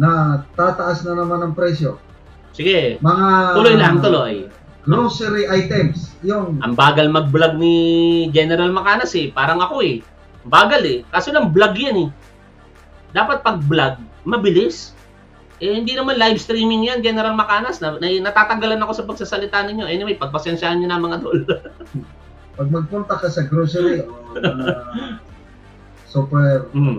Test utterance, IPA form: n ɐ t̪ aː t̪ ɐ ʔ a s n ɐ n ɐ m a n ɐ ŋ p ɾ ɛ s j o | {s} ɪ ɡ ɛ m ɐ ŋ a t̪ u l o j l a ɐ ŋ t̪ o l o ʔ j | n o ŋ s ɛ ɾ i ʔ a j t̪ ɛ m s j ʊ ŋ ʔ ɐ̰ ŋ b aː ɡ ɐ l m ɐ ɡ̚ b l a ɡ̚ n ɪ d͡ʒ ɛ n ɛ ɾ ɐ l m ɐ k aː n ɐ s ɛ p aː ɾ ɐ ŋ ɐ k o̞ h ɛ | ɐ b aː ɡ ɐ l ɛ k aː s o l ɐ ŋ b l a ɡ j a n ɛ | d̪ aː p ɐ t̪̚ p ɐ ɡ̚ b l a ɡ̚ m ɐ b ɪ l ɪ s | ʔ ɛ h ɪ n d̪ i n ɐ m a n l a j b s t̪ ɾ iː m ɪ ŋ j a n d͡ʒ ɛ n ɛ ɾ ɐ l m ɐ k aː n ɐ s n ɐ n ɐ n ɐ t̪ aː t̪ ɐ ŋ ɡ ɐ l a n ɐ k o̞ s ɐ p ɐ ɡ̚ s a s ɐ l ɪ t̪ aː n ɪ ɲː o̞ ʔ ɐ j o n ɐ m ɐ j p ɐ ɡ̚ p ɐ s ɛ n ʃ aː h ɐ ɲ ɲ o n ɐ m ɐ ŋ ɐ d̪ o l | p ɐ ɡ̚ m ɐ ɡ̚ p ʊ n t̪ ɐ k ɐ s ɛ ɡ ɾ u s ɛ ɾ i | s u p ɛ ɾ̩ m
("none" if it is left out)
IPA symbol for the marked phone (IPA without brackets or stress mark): s